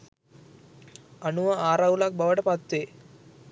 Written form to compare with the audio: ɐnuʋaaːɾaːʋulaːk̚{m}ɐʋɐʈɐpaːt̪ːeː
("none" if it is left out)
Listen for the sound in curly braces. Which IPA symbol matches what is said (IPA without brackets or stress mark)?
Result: b